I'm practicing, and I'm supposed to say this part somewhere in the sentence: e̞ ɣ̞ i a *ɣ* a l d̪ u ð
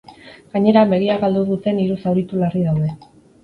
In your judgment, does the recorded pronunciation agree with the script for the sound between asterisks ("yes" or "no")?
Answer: yes